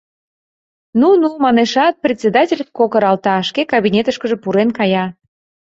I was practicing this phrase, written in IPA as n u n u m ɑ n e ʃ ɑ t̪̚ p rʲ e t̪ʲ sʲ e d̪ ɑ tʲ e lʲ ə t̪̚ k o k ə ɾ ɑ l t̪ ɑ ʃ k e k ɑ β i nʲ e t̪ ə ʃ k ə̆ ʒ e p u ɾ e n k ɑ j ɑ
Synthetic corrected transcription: n u n u m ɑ n e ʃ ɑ t̪̚ p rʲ e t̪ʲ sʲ e d̪ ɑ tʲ e lʲ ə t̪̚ k o k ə ɾ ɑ l t̪ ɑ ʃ k e k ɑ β i nʲ e t̪ ə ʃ k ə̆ ʒ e p u ɾ e n k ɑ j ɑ